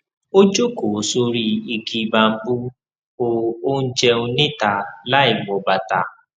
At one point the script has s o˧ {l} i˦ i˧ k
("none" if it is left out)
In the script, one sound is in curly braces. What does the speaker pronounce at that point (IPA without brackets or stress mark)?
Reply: ɾ